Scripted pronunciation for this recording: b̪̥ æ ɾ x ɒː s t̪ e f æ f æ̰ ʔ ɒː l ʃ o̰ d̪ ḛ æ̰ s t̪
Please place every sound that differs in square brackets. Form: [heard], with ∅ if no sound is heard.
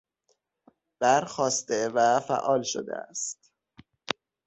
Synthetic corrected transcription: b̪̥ æ ɾ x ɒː s t̪ e [v] æ f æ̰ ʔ ɒː l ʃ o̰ d̪ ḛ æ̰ s t̪

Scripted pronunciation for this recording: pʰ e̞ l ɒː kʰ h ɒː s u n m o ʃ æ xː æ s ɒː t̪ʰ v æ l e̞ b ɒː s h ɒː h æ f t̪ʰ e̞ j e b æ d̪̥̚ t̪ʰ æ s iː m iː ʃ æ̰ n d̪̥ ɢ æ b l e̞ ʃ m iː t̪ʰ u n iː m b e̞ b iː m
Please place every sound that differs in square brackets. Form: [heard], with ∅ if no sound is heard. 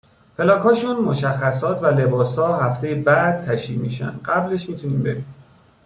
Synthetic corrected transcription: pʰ e̞ l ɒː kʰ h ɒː [ʃ] u n m o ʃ æ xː æ s ɒː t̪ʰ v æ l e̞ b ɒː s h ɒː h æ f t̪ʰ e̞ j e b æ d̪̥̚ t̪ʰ æ [ʃ] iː m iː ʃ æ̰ n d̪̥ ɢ æ b l e̞ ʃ m iː t̪ʰ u n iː m b e̞ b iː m

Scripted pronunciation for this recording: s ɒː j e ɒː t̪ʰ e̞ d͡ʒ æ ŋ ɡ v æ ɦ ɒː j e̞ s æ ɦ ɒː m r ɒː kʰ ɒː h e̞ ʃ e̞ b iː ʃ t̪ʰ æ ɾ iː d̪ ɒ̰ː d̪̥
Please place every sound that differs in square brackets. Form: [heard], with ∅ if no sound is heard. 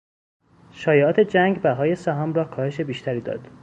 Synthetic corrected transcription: [ʃ] ɒː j e ɒː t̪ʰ e̞ d͡ʒ æ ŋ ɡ [b] æ ɦ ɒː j e̞ s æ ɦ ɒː m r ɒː kʰ ɒː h e̞ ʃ e̞ b iː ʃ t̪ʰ æ ɾ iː d̪ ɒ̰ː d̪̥

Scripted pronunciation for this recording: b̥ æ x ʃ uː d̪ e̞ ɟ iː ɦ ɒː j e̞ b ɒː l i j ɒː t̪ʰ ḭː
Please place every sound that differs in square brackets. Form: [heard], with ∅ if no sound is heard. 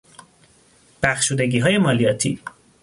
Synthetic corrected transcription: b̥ æ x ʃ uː d̪ e̞ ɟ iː ɦ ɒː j e̞ [m] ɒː l i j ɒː t̪ʰ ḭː

